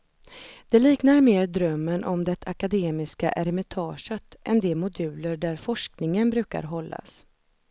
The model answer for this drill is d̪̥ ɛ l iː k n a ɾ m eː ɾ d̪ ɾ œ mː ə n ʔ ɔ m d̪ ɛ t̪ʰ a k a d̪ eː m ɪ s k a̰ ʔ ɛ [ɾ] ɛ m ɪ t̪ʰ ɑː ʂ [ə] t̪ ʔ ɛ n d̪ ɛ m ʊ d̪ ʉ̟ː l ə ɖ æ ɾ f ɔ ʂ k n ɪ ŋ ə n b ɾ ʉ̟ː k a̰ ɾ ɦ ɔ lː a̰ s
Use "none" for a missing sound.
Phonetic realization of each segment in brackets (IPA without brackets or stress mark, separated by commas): ɾ, ə